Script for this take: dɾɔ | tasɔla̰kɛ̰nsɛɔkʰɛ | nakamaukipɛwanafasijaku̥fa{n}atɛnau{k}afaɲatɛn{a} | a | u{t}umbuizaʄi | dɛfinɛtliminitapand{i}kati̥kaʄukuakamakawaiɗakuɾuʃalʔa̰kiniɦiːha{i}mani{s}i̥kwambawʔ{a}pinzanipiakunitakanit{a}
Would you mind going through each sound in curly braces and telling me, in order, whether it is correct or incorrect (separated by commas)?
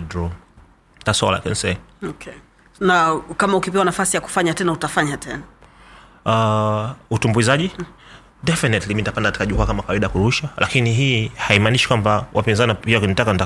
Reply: incorrect, incorrect, correct, correct, incorrect, correct, incorrect, correct, correct